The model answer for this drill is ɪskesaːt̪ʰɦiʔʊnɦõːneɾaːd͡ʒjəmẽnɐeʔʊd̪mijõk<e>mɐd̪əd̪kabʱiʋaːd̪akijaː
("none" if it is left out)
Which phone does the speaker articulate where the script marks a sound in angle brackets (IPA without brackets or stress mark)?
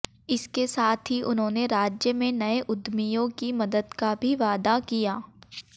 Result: i